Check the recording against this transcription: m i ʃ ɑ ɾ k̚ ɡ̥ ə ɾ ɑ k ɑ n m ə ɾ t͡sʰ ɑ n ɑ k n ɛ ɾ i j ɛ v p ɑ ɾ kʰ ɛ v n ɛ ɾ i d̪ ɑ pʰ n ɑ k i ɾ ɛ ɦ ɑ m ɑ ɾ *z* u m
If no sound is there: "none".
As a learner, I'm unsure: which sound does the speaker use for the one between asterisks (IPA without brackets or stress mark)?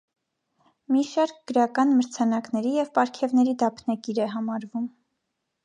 v